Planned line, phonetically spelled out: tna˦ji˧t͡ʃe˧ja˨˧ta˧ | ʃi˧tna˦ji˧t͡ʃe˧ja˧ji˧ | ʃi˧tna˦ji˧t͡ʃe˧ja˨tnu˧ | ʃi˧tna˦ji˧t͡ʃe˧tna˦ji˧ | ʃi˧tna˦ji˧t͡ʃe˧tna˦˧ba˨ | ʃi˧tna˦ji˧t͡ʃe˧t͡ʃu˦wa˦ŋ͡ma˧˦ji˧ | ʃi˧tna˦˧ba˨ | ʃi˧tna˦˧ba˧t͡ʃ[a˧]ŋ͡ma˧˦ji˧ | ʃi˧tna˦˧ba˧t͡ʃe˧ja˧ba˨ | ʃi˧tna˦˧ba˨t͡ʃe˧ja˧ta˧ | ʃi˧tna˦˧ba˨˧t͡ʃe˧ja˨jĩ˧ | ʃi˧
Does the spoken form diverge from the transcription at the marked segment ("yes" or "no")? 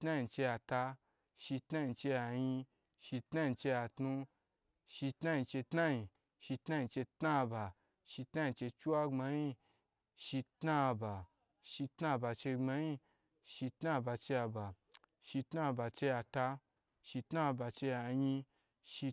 yes